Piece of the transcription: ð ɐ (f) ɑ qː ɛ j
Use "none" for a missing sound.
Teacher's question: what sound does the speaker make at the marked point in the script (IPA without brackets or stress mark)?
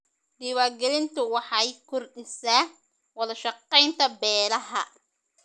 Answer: ʃ